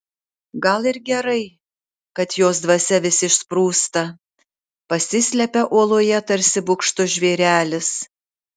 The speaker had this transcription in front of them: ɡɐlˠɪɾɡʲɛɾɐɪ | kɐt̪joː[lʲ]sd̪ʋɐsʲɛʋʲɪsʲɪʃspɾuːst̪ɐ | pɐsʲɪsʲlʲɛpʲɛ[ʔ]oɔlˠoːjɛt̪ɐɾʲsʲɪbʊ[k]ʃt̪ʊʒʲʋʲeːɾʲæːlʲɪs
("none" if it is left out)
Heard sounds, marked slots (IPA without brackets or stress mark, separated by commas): none, ʔ, k